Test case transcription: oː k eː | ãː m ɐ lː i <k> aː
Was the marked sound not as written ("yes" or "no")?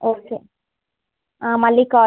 no